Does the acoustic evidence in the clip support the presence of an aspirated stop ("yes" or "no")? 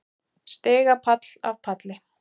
yes